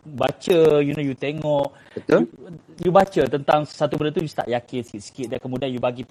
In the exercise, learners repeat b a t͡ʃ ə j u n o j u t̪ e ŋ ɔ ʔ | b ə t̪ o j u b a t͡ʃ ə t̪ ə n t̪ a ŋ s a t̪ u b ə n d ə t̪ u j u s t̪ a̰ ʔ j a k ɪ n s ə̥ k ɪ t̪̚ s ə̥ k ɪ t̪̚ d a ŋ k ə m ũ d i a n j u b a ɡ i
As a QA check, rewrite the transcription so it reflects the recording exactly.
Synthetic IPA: b a t͡ʃ ə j u n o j u t̪ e ŋ ɔ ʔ | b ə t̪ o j u b a t͡ʃ ə t̪ ə n t̪ a ŋ s a t̪ u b ə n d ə t̪ u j u s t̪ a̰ ʔ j a k ɪ n s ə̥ k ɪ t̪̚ s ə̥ k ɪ t̪̚ d a n k ə m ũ d i a n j u b a ɡ i